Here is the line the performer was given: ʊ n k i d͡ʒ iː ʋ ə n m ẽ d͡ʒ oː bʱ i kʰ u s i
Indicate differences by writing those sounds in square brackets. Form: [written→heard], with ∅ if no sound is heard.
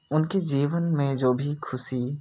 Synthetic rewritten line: ʊ n k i d͡ʒ iː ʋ ə n m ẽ d͡ʒ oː bʱ i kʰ [u→ʊ] s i